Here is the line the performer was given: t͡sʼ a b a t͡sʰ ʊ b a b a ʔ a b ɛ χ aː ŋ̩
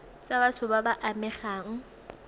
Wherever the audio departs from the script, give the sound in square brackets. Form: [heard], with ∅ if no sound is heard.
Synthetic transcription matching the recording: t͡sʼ a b a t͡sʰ ʊ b a b a ʔ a [m] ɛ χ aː ŋ̩